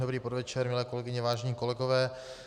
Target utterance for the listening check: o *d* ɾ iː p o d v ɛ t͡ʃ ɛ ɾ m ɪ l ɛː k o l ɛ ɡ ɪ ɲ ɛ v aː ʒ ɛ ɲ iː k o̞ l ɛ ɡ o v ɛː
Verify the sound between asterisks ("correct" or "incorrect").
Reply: incorrect